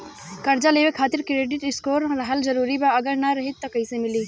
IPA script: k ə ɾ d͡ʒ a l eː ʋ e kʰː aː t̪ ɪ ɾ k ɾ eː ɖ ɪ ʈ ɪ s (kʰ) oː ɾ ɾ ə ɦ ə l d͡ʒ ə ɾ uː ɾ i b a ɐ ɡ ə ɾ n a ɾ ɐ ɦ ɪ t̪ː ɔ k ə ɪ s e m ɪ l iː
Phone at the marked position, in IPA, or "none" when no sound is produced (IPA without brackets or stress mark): k